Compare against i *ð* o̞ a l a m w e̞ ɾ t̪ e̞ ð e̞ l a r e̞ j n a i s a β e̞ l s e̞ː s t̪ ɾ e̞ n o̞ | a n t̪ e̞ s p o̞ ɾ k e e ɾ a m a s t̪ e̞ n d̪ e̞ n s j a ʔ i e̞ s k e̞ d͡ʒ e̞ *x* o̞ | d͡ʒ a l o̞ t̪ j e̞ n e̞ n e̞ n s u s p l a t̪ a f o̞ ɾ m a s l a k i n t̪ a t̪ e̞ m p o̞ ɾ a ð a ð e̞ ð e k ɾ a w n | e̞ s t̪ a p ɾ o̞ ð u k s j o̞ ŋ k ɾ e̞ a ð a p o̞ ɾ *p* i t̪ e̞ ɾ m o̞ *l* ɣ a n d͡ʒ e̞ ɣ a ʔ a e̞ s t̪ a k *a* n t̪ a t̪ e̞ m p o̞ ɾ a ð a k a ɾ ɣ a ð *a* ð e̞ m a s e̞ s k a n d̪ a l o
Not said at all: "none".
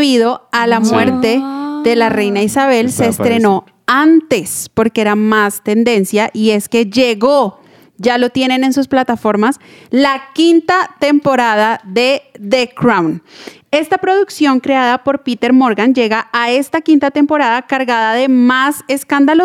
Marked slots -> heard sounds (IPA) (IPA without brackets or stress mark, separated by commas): ð, ɣ, p, ɾ, i, a